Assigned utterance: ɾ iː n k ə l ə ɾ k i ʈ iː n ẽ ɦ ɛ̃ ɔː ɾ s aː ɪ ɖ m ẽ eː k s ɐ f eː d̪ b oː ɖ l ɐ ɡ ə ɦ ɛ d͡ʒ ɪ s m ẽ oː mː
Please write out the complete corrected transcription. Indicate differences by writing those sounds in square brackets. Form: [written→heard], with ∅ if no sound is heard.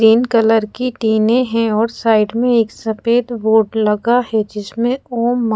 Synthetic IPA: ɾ iː n k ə l ə ɾ k i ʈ iː n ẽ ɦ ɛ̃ ɔː ɾ s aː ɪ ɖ m ẽ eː k s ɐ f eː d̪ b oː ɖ l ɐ ɡ [ə→a] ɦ ɛ d͡ʒ ɪ s m ẽ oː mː